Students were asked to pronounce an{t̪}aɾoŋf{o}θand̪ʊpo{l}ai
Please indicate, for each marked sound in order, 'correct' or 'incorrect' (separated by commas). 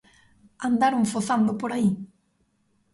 incorrect, correct, incorrect